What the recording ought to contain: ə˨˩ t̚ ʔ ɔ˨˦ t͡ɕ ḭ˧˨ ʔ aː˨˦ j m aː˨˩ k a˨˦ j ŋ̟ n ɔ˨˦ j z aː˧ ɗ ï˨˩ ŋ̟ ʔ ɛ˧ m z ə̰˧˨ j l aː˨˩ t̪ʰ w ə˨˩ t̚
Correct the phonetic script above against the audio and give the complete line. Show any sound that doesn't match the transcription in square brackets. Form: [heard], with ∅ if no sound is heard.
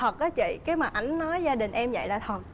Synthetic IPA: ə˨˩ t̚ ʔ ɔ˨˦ t͡ɕ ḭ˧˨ [k] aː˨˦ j m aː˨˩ [ʔ] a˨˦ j ŋ̟ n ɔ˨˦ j z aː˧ ɗ ï˨˩ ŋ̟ ʔ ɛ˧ m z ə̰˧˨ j l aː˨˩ t̪ʰ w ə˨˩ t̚

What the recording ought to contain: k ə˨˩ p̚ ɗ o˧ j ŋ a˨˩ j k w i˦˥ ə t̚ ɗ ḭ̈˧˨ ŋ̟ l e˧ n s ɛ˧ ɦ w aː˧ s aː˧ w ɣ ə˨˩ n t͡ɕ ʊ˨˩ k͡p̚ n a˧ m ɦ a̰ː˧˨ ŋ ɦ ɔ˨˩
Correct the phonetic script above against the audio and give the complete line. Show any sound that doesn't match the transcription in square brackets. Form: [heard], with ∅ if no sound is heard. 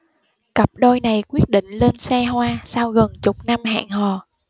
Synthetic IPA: k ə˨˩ p̚ ɗ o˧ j [n] a˨˩ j k w i˦˥ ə t̚ ɗ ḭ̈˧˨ ŋ̟ l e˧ n s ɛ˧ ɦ w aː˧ s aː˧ w ɣ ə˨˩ n t͡ɕ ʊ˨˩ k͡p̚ n a˧ m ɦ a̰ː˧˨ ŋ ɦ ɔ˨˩

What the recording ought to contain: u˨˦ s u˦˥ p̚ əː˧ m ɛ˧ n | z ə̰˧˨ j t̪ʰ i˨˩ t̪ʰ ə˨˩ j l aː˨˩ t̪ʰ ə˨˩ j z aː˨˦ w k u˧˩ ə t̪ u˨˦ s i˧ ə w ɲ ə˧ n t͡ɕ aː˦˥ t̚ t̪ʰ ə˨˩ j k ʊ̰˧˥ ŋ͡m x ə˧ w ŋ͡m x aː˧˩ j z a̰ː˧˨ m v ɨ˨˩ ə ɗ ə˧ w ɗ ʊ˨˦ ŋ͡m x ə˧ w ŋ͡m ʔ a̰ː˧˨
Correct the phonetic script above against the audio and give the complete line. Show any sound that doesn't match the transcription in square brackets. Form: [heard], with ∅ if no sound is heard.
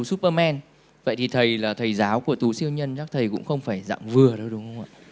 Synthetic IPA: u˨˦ s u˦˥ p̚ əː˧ m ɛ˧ n | [v] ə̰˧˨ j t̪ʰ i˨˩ t̪ʰ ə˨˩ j l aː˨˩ t̪ʰ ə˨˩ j z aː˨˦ w k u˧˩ ə t̪ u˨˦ s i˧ ə w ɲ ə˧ n t͡ɕ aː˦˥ [k̚] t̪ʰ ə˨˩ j k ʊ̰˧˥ ŋ͡m x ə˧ w ŋ͡m [f] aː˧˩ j z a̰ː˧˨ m v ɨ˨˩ ə ɗ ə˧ w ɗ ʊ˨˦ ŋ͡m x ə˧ w ŋ͡m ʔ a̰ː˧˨

